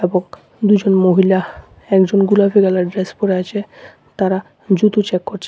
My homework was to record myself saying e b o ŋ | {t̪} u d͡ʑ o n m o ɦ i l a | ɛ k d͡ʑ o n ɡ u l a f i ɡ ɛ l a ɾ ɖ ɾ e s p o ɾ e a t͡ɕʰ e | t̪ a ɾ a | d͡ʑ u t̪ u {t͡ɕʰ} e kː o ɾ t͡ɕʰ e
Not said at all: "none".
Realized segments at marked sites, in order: d̪, t͡ɕ

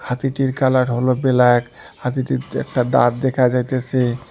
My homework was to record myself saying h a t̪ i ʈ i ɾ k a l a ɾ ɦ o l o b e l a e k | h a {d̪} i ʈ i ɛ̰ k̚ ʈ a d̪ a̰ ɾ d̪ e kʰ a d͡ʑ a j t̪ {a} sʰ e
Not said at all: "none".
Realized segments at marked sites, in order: t̪, e

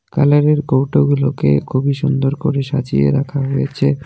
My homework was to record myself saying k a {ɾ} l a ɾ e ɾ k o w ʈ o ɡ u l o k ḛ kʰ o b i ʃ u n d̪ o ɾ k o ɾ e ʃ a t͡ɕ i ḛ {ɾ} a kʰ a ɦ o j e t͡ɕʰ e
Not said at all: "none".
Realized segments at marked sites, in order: none, ɾ

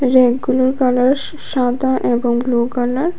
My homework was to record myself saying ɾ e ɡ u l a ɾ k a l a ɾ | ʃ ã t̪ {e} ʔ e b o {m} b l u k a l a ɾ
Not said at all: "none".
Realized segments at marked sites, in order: a, ŋ

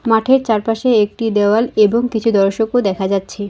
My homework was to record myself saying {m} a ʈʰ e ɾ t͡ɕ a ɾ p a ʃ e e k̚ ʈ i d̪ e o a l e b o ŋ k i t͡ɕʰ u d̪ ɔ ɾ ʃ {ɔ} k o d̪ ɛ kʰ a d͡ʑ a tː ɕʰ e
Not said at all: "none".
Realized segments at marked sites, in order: m, o

